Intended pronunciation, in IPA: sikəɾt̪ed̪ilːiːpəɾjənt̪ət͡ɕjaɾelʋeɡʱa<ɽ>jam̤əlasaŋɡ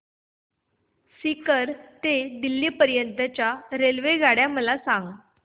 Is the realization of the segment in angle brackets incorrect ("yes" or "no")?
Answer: no